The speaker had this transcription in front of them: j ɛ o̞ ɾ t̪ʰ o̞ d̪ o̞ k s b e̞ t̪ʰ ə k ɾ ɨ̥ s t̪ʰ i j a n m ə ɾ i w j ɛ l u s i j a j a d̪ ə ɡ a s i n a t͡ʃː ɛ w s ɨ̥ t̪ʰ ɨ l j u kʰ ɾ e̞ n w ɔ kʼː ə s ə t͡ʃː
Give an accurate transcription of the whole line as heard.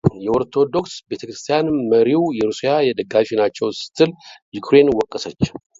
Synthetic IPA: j ɛ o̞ ɾ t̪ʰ o̞ d̪ o̞ k s b e̞ t̪ʰ ə k ɾ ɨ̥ s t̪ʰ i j a n m ə ɾ i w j ɛ ɾ u s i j a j ɛ d̪ ə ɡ a f i n a t͡ʃː ɛ w s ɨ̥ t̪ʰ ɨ l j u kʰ ɾ e̞ n w ɔ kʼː ə s ə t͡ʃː